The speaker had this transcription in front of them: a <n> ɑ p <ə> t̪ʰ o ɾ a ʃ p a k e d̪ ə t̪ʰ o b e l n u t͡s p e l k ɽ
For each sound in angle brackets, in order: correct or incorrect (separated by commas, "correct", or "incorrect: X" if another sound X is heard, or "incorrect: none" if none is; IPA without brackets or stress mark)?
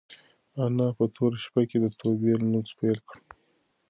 correct, correct